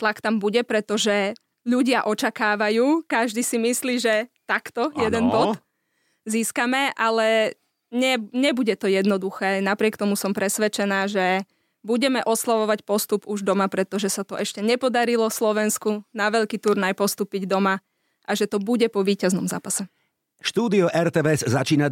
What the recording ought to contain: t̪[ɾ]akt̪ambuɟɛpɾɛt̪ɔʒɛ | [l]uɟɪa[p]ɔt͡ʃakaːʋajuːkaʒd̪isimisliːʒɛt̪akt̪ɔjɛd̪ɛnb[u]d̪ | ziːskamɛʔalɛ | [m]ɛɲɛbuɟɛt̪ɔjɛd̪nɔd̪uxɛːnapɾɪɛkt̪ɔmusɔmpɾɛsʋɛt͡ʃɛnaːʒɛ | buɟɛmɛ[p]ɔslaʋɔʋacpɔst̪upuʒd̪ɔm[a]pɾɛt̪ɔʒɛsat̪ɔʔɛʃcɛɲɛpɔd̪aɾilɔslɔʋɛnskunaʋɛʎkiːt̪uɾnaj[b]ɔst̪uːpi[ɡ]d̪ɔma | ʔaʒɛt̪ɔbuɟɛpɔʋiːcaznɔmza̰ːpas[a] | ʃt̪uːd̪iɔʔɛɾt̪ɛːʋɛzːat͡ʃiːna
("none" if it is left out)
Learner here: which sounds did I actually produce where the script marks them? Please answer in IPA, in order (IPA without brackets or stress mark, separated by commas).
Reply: l, ʎ, ʔ, ɔ, ɲ, ʔ, a, p, ɟ, ɛ